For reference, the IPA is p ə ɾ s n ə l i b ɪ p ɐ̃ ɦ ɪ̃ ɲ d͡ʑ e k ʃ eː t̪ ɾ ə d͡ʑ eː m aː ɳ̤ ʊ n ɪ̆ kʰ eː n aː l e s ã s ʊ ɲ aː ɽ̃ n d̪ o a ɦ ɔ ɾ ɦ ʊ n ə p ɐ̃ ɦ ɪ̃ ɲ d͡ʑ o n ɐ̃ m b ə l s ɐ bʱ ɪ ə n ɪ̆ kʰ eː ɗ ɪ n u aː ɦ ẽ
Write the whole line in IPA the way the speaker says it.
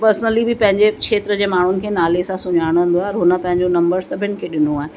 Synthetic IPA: p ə ɾ s n ə l i b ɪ p ɐ̃ ɦ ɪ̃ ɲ d͡ʑ e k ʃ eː t̪ ɾ ə d͡ʑ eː m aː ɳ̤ ʊ n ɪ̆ kʰ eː n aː l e s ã s ʊ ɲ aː ɽ̃ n d̪ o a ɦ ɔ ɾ ɦ ʊ n ə p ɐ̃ ɦ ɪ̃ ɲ d͡ʑ o n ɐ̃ m b ə ɾ s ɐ bʱ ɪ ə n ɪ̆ kʰ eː ɗ ɪ n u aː ɦ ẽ